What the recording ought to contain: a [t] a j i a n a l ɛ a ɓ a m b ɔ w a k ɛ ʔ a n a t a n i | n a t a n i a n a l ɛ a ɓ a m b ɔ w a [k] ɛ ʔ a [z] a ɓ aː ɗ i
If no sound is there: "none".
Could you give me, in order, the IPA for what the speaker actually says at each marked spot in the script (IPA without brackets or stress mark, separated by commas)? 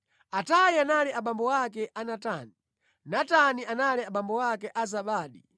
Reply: t, k, z